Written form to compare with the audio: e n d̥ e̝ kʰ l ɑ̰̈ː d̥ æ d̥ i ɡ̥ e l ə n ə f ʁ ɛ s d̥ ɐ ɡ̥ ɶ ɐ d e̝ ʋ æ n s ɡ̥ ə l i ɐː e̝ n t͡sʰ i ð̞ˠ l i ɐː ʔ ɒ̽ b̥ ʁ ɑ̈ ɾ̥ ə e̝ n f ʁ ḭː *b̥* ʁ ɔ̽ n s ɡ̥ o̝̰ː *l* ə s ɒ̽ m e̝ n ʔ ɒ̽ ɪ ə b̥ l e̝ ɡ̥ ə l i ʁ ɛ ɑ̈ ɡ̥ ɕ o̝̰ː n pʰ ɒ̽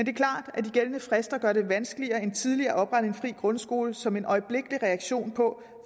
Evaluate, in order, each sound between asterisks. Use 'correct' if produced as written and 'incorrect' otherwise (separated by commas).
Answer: incorrect, correct